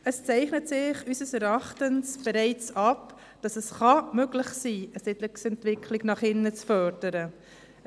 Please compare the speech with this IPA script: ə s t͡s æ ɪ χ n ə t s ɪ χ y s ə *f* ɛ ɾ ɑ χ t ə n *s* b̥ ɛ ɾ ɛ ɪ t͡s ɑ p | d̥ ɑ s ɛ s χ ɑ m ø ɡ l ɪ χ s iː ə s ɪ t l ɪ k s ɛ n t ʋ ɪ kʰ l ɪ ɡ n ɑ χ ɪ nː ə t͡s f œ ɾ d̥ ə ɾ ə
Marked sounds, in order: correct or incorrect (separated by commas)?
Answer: incorrect, correct